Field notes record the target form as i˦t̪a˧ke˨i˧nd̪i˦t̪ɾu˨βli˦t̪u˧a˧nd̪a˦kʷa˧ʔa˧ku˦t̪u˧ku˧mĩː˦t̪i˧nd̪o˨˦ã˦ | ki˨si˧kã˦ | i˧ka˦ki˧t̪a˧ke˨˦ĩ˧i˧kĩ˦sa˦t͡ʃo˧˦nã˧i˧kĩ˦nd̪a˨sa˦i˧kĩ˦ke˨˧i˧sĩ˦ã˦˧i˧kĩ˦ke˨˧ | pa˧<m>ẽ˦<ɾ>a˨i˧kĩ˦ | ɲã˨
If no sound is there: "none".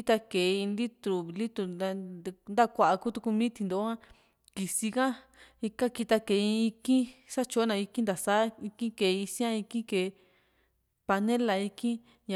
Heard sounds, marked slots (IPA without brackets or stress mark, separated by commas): n, l